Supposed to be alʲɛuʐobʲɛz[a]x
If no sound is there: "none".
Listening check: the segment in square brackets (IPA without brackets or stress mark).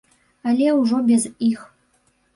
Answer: i